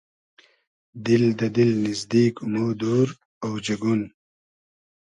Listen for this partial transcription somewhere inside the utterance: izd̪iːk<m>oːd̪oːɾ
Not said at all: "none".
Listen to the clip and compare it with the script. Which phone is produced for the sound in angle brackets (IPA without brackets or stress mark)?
m